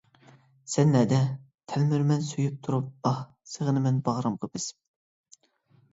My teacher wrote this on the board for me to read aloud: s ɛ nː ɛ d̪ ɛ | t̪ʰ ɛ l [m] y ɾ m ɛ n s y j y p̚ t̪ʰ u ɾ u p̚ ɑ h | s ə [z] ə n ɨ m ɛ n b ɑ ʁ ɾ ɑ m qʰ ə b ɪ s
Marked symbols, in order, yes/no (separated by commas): yes, no